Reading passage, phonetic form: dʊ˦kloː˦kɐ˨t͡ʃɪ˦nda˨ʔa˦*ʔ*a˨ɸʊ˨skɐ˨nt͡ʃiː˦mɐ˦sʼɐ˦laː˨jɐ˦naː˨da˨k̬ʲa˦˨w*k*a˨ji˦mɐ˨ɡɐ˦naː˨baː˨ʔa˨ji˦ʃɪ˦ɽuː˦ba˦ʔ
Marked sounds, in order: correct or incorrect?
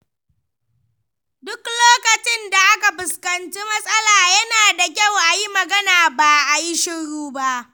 incorrect, incorrect

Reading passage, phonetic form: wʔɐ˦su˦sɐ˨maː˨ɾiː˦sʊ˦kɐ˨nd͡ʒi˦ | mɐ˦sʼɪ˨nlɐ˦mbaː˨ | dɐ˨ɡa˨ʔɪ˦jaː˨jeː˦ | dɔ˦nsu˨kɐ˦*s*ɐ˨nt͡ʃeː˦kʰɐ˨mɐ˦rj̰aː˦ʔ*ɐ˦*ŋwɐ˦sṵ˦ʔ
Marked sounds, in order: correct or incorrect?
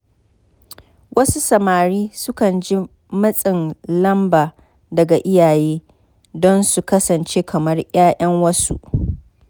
correct, correct

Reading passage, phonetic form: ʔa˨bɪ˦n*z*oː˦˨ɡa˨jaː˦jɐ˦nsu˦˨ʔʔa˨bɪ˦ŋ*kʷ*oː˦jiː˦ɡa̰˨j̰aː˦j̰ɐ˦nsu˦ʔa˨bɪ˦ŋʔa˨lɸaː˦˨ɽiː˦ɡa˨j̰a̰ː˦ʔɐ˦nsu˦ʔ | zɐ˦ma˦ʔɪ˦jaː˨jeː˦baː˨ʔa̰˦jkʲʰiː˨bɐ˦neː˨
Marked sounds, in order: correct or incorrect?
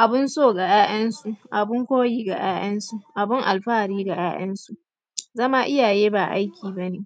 incorrect, correct

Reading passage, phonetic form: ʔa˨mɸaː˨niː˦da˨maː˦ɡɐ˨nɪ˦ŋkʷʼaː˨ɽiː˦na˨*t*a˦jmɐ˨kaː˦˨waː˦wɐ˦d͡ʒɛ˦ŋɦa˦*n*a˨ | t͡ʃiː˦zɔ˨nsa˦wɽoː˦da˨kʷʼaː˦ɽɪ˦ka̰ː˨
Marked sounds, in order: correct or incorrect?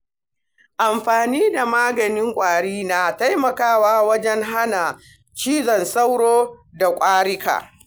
correct, correct

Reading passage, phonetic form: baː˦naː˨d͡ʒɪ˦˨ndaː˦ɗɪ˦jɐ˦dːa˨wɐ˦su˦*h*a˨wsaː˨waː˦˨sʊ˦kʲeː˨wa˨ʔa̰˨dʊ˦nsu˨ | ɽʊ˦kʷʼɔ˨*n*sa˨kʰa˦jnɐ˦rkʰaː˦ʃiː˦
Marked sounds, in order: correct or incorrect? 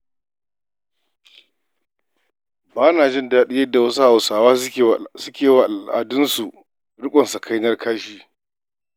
correct, correct

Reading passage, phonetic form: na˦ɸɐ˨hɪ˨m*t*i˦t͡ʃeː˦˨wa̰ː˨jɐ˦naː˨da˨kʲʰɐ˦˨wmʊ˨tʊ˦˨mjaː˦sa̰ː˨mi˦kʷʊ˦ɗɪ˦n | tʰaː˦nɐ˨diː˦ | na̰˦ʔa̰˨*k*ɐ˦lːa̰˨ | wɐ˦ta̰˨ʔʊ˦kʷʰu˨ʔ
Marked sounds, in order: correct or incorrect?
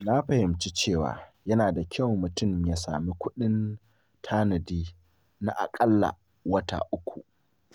incorrect, incorrect

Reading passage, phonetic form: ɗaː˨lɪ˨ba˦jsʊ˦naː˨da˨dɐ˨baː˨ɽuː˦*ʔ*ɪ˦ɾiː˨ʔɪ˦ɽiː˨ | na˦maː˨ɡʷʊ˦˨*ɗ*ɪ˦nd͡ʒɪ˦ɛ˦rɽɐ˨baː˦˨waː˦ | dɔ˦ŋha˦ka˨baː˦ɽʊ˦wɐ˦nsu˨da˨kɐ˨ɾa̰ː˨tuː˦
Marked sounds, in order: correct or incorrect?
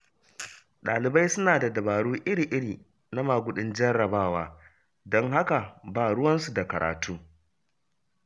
correct, correct

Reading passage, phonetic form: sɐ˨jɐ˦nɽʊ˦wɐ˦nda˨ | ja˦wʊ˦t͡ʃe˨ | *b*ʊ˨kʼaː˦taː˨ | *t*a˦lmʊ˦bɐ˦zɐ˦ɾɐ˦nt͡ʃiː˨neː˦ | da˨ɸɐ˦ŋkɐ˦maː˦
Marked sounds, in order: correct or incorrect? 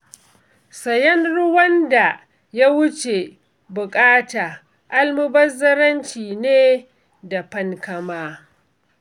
correct, incorrect

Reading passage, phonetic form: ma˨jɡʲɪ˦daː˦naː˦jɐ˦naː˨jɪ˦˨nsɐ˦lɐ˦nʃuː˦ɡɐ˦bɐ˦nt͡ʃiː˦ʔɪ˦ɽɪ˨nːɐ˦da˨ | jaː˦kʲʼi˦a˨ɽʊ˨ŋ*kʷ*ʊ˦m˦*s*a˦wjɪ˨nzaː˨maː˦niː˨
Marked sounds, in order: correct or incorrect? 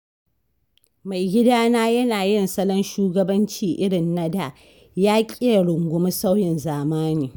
incorrect, correct

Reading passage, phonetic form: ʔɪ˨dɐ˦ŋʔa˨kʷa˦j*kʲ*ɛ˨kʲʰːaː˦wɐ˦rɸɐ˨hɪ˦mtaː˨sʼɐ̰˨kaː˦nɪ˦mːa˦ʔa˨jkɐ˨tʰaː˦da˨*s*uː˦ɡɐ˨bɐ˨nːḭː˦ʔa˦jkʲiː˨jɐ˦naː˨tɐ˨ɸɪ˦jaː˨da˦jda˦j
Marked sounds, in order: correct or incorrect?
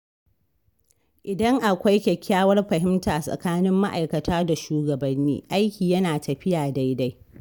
correct, incorrect

